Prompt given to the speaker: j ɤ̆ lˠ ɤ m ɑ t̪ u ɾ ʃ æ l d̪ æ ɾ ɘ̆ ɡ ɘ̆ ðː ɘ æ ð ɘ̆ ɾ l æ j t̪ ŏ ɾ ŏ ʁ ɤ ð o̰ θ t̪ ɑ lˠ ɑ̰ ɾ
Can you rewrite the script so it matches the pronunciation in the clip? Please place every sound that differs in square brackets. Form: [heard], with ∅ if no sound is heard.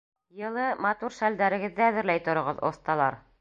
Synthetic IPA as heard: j ɤ̆ lˠ ɤ m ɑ t̪ u ɾ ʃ æ l d̪ æ ɾ ɘ̆ ɡ ɘ̆ ðː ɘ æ ð ɘ̆ ɾ l æ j t̪ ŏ ɾ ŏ ʁ ɤ ð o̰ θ t̪ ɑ lˠ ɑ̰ ɾ